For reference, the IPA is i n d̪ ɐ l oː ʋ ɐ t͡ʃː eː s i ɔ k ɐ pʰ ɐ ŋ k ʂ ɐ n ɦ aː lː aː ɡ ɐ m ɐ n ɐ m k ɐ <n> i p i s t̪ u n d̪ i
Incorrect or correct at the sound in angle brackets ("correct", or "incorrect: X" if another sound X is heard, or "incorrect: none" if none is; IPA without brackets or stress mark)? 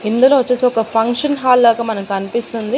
correct